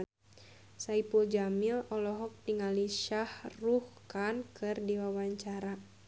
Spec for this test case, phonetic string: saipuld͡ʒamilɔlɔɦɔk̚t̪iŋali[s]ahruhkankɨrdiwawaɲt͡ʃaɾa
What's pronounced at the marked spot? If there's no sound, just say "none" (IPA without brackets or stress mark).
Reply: ʃ